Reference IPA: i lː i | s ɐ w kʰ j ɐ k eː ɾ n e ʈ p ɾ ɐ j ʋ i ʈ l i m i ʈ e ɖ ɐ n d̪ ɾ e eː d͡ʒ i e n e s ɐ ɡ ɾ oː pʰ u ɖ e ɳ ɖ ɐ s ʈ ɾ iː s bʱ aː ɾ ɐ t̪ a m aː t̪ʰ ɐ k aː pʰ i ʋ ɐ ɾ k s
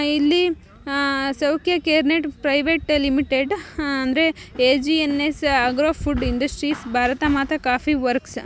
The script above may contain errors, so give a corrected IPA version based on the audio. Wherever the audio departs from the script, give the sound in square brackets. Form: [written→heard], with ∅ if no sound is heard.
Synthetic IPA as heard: i lː i | s ɐ w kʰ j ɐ k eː ɾ n e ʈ p ɾ ɐ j ʋ [i→e] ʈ l i m i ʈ e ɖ ɐ n d̪ ɾ e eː d͡ʒ i e n e s ɐ ɡ ɾ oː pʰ u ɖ [e→i] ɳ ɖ ɐ s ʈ ɾ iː s bʱ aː ɾ ɐ t̪ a m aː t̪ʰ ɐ k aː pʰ i ʋ ɐ ɾ k s